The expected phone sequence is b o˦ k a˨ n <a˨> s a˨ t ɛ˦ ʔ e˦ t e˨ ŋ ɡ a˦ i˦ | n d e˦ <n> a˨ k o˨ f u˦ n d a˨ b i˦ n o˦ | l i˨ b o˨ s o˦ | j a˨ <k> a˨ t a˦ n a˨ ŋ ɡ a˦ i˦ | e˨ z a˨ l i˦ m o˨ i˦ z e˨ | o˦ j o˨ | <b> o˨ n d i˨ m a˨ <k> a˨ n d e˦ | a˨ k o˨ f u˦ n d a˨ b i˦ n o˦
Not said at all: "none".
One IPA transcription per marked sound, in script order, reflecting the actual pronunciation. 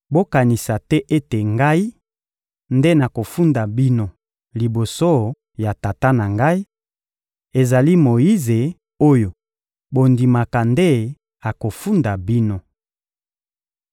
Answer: i˨, n, t, b, k

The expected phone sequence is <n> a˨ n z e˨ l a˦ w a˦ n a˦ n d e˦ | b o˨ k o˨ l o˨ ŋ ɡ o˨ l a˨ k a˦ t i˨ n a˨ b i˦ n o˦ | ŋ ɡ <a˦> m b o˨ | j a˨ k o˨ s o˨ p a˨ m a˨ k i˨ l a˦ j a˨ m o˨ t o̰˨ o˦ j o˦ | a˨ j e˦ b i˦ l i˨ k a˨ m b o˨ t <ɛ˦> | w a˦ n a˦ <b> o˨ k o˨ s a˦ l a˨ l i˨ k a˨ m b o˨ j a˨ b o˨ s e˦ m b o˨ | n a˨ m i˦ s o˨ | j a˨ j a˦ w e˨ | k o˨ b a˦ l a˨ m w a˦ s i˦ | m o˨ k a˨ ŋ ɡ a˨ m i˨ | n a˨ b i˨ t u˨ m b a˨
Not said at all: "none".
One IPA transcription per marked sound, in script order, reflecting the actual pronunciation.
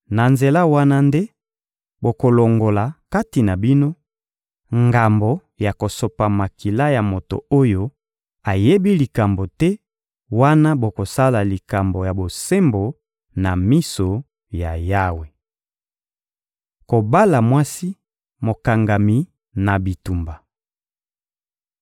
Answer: n, a˨, ɛ˦, b

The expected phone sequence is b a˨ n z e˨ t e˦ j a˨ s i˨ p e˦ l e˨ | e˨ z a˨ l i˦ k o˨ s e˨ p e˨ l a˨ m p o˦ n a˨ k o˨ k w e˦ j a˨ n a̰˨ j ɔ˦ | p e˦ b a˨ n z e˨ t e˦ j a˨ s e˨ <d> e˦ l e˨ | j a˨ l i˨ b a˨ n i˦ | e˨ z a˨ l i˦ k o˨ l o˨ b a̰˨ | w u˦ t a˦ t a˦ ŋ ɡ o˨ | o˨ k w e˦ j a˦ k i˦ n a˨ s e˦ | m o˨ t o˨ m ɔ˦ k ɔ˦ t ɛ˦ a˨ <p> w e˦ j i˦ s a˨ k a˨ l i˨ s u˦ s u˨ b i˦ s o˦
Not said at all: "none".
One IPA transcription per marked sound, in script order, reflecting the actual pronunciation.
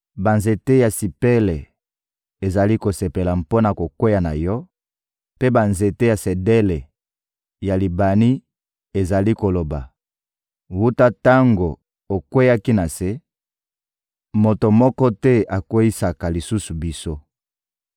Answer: d, k

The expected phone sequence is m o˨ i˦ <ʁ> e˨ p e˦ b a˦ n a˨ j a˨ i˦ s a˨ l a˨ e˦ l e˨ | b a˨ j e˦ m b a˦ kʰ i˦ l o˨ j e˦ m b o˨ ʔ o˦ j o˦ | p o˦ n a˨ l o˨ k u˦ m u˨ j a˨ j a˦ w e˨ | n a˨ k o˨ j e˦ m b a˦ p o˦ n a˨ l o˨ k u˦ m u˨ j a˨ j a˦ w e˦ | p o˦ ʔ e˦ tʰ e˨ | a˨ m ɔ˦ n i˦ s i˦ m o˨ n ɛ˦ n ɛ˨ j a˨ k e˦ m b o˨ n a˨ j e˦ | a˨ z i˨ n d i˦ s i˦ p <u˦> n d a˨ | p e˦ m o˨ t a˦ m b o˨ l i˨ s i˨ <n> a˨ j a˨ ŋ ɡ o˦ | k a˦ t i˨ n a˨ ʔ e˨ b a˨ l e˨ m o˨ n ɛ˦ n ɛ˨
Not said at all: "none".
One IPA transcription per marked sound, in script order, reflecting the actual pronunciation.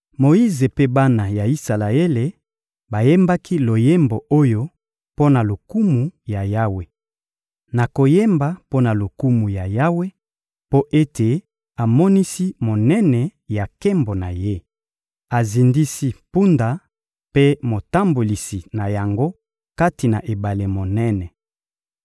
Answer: z, u˦, n

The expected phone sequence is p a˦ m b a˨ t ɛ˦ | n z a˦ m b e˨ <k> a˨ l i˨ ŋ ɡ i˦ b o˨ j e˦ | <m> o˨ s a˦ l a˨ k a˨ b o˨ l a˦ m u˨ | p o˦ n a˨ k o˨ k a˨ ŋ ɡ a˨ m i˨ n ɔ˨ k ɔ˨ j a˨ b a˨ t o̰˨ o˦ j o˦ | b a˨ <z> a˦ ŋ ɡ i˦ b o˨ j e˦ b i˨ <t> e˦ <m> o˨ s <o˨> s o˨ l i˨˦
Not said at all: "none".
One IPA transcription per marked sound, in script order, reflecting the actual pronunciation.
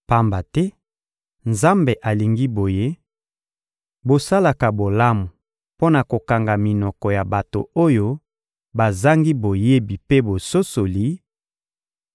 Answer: ʔ, b, z, p, b, o˦

